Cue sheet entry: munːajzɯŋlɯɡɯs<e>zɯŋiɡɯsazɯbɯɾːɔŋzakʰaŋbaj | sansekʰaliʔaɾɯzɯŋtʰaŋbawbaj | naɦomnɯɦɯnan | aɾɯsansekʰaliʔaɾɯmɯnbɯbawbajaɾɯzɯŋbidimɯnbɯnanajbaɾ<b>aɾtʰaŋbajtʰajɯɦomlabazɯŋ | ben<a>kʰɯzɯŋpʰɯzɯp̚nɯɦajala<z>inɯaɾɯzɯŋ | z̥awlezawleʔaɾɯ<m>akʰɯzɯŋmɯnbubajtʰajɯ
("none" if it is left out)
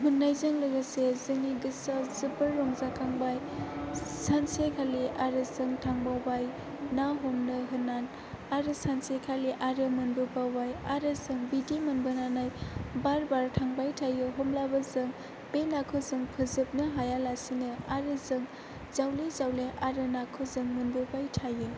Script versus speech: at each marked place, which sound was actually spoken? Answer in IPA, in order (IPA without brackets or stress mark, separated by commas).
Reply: e, b, a, s, n